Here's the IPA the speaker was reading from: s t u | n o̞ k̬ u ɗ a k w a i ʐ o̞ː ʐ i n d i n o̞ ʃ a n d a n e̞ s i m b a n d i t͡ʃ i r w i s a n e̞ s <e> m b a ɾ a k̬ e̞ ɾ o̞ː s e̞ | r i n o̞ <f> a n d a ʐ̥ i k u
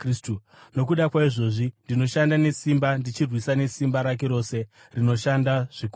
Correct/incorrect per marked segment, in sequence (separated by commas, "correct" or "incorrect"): incorrect, incorrect